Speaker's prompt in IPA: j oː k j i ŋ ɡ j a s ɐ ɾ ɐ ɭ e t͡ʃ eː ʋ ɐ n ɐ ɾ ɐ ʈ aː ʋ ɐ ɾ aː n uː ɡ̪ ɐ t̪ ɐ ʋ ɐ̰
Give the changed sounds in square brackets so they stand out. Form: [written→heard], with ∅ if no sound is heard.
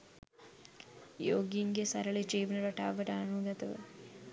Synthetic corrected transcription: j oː [k→ɡ] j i ŋ ɡ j [a→ɐ] s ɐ ɾ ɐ ɭ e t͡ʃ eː ʋ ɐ n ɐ ɾ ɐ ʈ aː ʋ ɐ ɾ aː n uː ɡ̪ ɐ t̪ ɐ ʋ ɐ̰